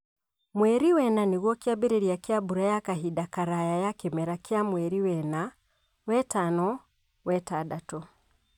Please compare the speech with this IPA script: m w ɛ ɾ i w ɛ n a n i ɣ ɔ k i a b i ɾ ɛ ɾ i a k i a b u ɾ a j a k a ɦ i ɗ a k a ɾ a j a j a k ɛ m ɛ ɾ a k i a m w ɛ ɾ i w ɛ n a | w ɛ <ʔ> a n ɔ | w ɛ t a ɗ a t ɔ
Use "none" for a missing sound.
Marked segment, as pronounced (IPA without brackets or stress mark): t